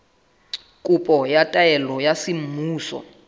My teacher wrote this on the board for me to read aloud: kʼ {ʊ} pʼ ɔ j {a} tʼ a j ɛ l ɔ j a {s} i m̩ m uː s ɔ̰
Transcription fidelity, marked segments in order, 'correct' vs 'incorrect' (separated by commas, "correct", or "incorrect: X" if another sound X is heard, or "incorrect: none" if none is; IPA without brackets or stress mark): incorrect: u, correct, correct